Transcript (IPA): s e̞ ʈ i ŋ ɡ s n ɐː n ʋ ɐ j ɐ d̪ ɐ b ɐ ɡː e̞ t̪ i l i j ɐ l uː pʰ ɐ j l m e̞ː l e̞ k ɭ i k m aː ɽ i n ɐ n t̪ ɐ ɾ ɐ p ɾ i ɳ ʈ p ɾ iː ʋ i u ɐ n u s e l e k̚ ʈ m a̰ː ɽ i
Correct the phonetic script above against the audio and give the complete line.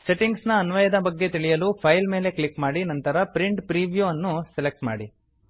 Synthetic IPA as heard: s e̞ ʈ i ŋ ɡ s n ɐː n ʋ ɐ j ɐ d̪ ɐ b ɐ ɡː e̞ t̪ i ɭ i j ɐ l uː pʰ ɐ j l m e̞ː l e̞ k ɭ i k m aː ɽ i n ɐ n t̪ ɐ ɾ ɐ p ɾ i ɳ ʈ p ɾ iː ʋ j u ɐ nː u s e l e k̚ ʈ m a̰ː ɽ i